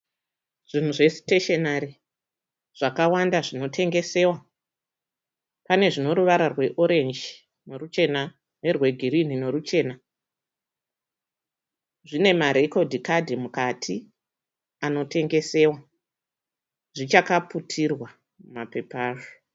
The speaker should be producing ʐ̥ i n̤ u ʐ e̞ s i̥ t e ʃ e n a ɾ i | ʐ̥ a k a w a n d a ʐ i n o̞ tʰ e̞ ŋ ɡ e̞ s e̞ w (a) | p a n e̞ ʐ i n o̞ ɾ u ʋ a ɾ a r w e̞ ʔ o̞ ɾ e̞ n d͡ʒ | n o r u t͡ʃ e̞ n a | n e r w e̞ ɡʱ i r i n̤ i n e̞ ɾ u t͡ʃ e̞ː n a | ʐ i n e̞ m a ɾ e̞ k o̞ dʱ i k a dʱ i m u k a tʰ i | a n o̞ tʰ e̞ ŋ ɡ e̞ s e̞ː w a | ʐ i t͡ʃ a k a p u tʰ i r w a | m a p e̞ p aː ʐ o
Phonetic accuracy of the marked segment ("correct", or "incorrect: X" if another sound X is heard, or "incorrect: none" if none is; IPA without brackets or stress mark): correct